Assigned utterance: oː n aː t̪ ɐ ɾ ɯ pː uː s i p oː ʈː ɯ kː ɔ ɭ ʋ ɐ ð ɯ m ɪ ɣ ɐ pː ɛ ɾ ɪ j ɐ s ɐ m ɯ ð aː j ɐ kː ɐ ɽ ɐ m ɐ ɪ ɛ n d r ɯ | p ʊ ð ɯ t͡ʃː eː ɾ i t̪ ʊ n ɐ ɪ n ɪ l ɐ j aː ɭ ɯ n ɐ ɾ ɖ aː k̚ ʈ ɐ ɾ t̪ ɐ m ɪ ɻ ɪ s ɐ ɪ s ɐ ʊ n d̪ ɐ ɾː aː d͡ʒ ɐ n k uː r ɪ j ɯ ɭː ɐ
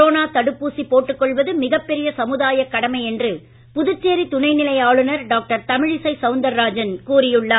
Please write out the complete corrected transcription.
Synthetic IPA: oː n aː t̪ ɐ ɽ ɯ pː uː s i p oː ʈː ɯ kː ɔ ɭ ʋ ɐ ð ɯ m ɪ ɣ ɐ pː ɛ ɾ ɪ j ɐ s ɐ m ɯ ð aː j ɐ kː ɐ ɽ ɐ m ɐ ɪ ɛ n d r ɯ | p ʊ ð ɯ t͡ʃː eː ɾ i t̪ ʊ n ɐ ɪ n ɪ l ɐ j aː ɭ ɯ n ɐ ɾ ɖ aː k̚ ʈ ɐ ɾ t̪ ɐ m ɪ ɻ ɪ s ɐ ɪ s ɐ ʊ n d̪ ɐ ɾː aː d͡ʒ ɐ n k uː r ɪ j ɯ ɭː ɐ